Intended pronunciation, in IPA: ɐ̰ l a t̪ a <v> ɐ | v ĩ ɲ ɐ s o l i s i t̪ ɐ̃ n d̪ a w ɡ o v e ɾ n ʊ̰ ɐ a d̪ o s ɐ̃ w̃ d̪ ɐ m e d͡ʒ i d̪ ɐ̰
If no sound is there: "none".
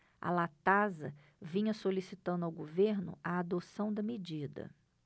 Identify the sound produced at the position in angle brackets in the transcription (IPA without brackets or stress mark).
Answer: z